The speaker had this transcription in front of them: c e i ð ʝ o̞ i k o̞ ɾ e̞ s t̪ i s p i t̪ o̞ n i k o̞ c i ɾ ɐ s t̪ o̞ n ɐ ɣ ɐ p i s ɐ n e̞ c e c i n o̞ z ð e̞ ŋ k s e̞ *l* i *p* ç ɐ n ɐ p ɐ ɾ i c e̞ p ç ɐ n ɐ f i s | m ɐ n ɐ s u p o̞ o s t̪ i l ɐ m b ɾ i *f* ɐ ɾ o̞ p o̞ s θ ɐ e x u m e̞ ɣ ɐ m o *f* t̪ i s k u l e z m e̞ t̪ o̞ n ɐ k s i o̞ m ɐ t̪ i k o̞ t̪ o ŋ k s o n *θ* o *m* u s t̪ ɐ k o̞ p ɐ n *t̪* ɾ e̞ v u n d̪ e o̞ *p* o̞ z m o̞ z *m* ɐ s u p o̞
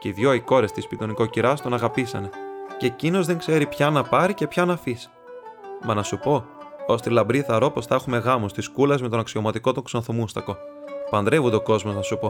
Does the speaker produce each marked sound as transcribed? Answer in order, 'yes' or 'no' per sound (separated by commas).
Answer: no, yes, no, no, yes, yes, no, no, no